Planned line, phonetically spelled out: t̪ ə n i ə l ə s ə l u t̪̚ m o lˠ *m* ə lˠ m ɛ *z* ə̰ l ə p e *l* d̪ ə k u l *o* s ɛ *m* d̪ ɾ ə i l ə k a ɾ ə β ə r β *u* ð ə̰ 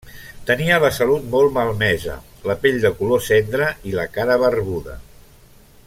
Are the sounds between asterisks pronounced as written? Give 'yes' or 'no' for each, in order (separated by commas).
yes, yes, no, yes, no, yes